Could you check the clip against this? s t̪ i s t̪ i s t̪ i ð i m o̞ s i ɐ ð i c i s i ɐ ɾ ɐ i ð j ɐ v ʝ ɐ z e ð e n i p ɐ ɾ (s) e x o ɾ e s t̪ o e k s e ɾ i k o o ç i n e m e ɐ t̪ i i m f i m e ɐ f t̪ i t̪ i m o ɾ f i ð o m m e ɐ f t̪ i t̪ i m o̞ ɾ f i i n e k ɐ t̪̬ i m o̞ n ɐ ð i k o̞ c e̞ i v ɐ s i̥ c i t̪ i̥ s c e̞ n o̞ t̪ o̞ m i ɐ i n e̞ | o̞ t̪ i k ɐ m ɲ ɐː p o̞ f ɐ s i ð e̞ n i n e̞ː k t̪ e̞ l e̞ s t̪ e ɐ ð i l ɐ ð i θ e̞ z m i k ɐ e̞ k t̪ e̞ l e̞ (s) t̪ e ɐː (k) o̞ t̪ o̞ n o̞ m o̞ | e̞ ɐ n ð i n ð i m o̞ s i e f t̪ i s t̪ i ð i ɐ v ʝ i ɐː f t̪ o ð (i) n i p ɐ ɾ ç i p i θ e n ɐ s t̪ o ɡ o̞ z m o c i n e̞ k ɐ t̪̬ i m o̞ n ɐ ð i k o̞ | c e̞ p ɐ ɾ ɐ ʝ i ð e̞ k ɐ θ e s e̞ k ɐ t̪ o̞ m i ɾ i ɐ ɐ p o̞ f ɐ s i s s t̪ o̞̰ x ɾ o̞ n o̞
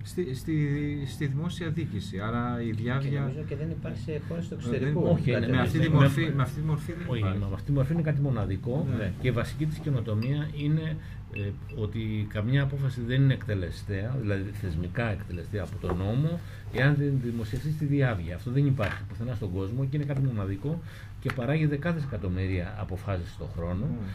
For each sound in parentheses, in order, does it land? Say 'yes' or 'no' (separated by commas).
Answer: yes, yes, no, no